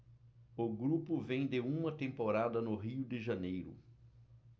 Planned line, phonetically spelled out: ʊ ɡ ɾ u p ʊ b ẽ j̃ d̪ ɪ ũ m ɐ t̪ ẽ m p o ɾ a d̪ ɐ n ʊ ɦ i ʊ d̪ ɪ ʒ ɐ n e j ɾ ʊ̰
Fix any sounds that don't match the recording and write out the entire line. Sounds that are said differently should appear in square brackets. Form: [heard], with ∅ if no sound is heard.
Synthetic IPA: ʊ ɡ ɾ u p ʊ [v] ẽ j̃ d̪ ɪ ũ m ɐ t̪ ẽ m p o ɾ a d̪ ɐ n ʊ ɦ i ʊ d̪ ɪ ʒ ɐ n e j ɾ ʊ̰